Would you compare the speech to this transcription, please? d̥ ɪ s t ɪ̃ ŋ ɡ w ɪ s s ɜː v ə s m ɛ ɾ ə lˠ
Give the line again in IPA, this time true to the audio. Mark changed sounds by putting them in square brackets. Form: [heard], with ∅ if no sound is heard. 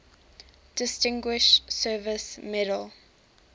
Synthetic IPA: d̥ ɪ s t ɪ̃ ŋ ɡ w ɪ [ʃ] s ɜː v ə s m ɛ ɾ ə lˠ

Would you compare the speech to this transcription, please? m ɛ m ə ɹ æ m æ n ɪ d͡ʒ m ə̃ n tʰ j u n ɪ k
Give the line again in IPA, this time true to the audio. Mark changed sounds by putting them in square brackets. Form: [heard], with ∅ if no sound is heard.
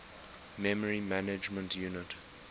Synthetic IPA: m ɛ m ə ɹ [i] m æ n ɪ d͡ʒ m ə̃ n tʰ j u n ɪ [t]

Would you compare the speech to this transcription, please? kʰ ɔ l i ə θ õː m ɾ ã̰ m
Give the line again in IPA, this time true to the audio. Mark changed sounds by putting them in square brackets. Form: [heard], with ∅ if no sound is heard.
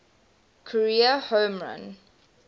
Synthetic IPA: kʰ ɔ [ɹ] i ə [h] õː m [ɹ] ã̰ [n]

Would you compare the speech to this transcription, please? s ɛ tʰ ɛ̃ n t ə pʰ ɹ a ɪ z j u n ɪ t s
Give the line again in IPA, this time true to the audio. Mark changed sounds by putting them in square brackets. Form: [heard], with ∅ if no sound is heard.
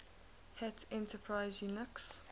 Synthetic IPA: [h] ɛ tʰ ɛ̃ n t ə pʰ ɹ a ɪ z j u n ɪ [k] s

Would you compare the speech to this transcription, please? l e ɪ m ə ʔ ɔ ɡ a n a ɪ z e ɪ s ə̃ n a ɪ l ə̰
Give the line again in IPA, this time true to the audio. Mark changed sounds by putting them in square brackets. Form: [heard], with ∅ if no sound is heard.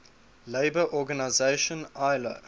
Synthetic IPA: l e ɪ [b] ə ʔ ɔ ɡ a n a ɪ z e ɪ [ʃ] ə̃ n a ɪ l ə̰

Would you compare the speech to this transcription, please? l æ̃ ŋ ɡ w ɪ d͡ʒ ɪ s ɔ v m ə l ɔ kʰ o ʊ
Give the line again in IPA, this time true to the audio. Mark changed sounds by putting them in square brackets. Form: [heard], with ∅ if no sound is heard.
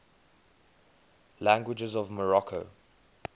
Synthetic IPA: l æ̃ ŋ ɡ w ɪ d͡ʒ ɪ [z] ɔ v m ə [ɹ] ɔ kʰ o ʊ

